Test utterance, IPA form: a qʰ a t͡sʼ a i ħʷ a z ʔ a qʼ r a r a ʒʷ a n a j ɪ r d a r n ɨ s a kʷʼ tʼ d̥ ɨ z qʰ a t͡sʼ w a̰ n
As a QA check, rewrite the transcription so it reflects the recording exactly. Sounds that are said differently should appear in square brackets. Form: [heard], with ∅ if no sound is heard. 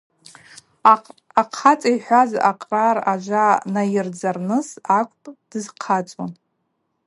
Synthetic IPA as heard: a qʰ a t͡sʼ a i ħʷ a z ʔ a qʼ r a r a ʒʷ a n a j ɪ r [d͡z] a r n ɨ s a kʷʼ [pʼ] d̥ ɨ z qʰ a t͡sʼ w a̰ n